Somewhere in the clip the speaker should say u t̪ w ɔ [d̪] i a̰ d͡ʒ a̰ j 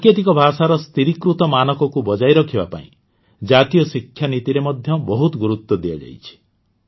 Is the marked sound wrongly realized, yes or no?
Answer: no